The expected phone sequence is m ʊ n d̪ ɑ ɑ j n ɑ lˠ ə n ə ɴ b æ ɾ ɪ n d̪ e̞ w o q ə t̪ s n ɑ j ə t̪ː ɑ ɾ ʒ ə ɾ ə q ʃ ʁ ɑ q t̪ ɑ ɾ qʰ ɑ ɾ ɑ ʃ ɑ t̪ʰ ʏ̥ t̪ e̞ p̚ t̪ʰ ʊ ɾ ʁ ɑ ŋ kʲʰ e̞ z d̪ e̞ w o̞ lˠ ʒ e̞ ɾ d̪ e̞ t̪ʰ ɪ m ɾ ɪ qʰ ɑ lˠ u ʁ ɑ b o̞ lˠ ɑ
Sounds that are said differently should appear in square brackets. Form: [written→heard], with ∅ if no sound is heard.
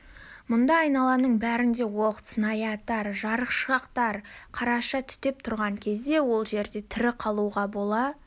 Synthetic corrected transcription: m ʊ n d̪ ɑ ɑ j n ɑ lˠ [ə→ɑ] n ə ɴ b æ ɾ ɪ n d̪ e̞ w o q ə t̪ s n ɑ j [ə→ɑ] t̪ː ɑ ɾ ʒ [ə→ɑ] ɾ ə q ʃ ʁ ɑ q t̪ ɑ ɾ qʰ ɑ ɾ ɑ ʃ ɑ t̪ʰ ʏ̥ t̪ e̞ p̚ t̪ʰ ʊ ɾ ʁ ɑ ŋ kʲʰ e̞ z d̪ e̞ w o̞ lˠ ʒ e̞ ɾ d̪ e̞ t̪ʰ ɪ [m→∅] ɾ ɪ qʰ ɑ lˠ u ʁ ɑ b o̞ lˠ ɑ